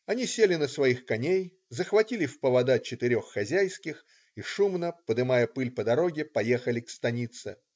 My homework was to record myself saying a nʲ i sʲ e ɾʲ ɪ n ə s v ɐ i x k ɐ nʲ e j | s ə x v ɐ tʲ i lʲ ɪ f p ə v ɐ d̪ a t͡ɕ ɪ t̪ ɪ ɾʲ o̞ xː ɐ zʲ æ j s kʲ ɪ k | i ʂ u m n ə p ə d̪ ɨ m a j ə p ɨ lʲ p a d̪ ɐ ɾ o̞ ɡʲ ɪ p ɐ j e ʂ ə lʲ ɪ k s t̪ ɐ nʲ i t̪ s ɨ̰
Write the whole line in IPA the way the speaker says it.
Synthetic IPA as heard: ɐ nʲ i sʲ e lʲ ɪ n ə s v ɐ i x k ɐ nʲ e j | z ə x v ɐ tʲ i lʲ ɪ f p ə v ɐ d̪ a t͡ɕ ɪ t̪ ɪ ɾʲ o̞ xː ɐ zʲ æ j s kʲ ɪ x | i ʂ u m n ə p ə d̪ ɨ m a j ə p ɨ lʲ p ə d̪ ɐ ɾ o̞ ɡʲ ɪ p ɐ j e x ə lʲ ɪ k s t̪ ɐ nʲ i t̪ s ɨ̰